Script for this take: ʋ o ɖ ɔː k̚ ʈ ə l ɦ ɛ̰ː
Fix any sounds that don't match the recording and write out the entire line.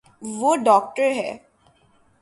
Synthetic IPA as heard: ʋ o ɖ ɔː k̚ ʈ ə ɾ ɦ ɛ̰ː